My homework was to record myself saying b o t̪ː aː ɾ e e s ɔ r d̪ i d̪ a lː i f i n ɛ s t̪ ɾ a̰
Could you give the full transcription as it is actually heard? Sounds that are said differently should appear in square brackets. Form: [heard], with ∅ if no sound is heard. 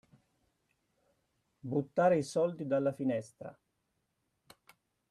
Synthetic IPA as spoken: b [u] t̪ː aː ɾ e [i] s ɔ [l] d̪ i d̪ a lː [a] f i n ɛ s t̪ ɾ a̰